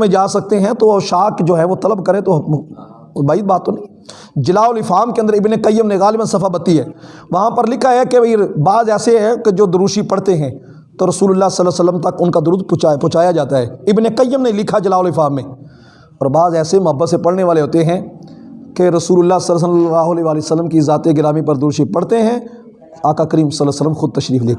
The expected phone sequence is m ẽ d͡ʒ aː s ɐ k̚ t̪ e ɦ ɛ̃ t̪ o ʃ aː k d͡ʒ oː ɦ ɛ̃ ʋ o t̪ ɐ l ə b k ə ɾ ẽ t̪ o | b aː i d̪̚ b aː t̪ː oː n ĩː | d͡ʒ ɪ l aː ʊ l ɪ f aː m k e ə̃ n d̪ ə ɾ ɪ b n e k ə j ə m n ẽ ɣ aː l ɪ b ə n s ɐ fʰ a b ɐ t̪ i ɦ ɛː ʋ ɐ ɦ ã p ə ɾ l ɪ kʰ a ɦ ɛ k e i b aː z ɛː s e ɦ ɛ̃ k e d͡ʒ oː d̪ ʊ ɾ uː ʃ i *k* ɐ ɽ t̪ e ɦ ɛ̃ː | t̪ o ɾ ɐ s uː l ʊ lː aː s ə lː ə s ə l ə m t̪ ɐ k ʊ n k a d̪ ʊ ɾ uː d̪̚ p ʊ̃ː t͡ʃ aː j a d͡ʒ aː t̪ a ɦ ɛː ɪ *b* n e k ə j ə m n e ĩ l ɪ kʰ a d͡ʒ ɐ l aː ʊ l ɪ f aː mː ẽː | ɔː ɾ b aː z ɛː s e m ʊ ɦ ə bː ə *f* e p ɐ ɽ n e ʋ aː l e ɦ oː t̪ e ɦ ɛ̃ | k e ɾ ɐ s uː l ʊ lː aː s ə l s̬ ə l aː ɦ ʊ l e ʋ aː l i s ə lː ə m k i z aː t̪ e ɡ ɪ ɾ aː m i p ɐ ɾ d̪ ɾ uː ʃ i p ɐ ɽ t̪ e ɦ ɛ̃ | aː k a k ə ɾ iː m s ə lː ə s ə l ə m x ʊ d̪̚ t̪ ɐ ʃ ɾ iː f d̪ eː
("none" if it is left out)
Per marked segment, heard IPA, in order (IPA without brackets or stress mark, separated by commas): p, b, s